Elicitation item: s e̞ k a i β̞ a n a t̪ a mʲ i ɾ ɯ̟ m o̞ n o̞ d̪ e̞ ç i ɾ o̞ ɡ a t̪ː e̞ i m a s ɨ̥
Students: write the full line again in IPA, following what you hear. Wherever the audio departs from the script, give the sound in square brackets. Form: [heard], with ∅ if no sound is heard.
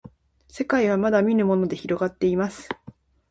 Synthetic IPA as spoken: s e̞ k a i β̞ a [m] a [d̪] a mʲ i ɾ ɯ̟ m o̞ n o̞ d̪ e̞ ç i ɾ o̞ ɡ a t̪ː e̞ i m a s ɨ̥

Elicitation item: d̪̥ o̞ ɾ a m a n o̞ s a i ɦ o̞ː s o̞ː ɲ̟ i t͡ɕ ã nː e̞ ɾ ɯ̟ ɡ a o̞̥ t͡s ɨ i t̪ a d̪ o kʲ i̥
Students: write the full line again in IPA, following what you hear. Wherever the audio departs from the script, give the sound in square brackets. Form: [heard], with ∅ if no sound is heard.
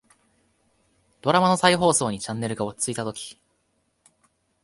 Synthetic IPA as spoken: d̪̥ o̞ ɾ a m a n o̞ s a i ɦ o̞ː s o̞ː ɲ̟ i t͡ɕ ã nː e̞ ɾ ɯ̟ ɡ a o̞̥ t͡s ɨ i t̪ a [t̪] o kʲ i̥

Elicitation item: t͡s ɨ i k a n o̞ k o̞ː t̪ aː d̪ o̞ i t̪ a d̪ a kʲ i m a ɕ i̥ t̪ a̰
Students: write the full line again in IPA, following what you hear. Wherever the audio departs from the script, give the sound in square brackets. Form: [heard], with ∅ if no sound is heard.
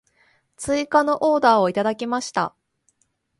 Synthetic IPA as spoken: t͡s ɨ i k a n o̞ [ʔ] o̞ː [d̪] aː [∅] o̞ i t̪ a d̪ a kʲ i m a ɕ i̥ t̪ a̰

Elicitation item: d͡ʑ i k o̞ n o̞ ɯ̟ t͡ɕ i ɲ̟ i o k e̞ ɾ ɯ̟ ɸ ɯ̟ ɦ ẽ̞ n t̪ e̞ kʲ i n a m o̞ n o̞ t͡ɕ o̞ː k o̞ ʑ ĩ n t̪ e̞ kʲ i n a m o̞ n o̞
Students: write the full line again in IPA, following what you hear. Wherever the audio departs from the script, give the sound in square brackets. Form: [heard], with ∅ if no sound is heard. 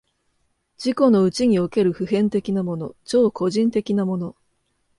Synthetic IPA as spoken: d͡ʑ i k o̞ n o̞ ɯ̟ t͡ɕ i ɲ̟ i o k e̞ ɾ ɯ̟ ɸ ɯ̟ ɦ ẽ̞ n t̪ e̞ kʲ i n a m o̞ n o̞ t͡ɕ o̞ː k o̞ ʑ ĩ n t̪ e̞ kʲ i n a m o̞ n o̞

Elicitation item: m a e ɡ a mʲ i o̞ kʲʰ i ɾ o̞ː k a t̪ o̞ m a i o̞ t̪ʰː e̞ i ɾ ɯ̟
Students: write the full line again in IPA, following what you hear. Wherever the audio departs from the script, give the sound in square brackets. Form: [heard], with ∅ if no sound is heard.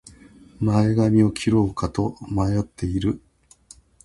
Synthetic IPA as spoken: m a e ɡ a mʲ i o̞ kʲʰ i ɾ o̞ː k a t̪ o̞ m a [j] o̞ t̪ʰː e̞ i ɾ ɯ̟

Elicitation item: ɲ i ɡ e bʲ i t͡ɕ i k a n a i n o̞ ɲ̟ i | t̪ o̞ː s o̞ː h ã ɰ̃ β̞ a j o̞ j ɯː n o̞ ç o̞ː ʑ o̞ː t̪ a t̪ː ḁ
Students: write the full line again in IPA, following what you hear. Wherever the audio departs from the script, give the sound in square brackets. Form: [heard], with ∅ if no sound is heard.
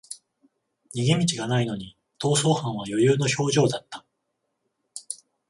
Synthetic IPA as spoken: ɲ i ɡ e [mʲ] i t͡ɕ i [ɡ] a n a i n o̞ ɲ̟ i | t̪ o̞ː s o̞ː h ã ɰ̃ β̞ a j o̞ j ɯː n o̞ ç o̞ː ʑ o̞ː [d̪] a t̪ː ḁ

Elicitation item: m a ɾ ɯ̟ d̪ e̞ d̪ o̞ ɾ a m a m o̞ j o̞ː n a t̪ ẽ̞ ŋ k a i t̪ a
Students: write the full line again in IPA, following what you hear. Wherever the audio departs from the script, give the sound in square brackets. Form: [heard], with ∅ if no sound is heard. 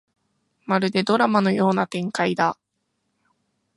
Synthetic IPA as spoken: m a ɾ ɯ̟ d̪ e̞ d̪ o̞ ɾ a m a [n] o̞ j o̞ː n a t̪ ẽ̞ ŋ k a i [d̪] a

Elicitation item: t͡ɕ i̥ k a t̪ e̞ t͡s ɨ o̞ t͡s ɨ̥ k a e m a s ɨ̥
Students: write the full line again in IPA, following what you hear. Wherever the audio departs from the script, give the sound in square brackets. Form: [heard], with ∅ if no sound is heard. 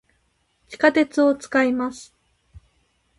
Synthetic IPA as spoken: t͡ɕ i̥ k a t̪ e̞ t͡s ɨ o̞ t͡s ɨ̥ k a [i] m a s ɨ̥

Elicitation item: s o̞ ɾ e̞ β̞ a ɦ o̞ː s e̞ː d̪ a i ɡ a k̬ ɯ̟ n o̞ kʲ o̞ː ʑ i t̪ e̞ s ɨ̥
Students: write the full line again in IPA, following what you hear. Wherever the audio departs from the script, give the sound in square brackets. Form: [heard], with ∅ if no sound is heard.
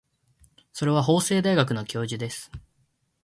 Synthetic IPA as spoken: s o̞ ɾ e̞ β̞ a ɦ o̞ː s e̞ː d̪ a i ɡ a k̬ ɯ̟ n o̞ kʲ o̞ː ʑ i [d̪] e̞ s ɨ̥

